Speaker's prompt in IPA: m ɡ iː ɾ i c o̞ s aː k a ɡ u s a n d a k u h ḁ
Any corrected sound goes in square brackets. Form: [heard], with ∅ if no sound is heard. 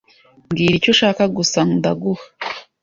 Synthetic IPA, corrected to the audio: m ɡ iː ɾ i c o̞ [ʃ] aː k a ɡ u s a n d a [ɡ] u h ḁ